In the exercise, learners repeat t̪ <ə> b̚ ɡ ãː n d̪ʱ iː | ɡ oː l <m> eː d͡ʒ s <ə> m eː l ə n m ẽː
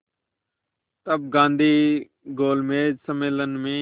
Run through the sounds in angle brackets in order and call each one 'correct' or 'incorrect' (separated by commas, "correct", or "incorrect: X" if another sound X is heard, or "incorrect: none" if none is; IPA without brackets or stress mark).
correct, correct, correct